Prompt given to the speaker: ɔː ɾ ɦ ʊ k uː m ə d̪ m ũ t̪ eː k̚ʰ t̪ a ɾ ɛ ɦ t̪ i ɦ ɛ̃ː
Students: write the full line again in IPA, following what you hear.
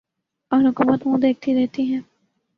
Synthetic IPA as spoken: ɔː ɾ ɦ ʊ k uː m ə t̪ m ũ d̪ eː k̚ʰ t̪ i ɾ ɛ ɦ t̪ i ɦ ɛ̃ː